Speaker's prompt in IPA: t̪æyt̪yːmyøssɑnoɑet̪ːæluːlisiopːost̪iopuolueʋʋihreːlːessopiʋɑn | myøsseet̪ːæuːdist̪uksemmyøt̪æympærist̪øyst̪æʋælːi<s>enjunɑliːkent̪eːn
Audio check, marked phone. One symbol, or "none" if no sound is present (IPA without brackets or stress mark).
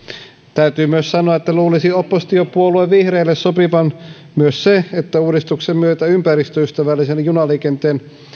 s